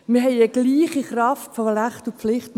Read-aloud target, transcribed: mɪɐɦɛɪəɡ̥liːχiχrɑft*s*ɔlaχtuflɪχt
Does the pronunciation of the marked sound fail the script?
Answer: yes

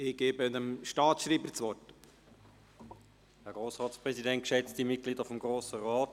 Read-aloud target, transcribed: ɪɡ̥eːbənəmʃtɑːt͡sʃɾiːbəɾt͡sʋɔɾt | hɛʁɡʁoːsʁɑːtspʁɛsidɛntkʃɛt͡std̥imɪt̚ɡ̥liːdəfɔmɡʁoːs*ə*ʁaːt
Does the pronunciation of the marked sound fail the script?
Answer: no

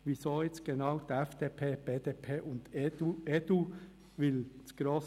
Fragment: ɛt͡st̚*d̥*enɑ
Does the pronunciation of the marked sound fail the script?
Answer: yes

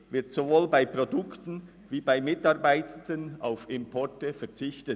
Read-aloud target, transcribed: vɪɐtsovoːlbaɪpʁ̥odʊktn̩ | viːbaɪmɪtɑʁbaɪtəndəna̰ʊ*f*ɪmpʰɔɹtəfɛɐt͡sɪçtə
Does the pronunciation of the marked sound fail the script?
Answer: no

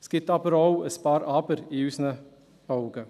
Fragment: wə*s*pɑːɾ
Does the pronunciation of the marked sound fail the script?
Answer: no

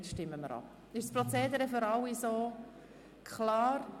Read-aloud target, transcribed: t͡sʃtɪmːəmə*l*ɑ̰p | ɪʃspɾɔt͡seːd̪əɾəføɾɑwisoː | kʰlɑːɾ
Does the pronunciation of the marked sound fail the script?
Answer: yes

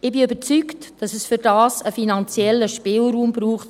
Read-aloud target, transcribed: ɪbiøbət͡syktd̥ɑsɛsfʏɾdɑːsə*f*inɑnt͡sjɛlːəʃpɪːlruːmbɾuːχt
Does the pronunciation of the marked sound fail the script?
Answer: no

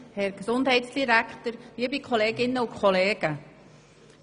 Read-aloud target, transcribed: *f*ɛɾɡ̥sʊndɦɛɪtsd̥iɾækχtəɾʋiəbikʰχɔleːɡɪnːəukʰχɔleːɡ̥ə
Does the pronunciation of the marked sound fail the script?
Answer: yes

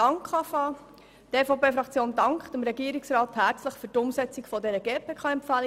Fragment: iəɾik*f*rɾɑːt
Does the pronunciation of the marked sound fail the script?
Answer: yes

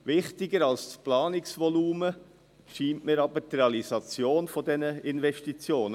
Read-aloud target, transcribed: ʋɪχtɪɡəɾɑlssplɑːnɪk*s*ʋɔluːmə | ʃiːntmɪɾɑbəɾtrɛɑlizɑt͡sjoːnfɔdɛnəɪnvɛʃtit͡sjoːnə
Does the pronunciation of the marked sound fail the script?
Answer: no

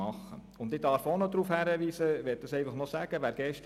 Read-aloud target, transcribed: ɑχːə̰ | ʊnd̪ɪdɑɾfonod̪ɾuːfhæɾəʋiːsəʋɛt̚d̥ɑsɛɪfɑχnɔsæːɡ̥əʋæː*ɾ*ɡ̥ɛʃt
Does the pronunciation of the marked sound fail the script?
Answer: no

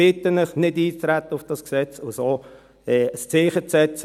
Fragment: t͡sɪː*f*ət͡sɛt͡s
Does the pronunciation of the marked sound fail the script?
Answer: yes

